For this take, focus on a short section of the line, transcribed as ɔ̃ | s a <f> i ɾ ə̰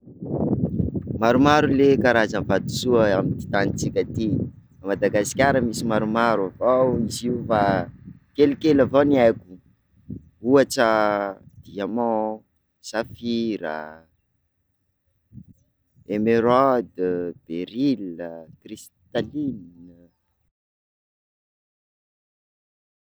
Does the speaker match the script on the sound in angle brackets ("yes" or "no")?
yes